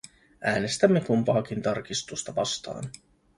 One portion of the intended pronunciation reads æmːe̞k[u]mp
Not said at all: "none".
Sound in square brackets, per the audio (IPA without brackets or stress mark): u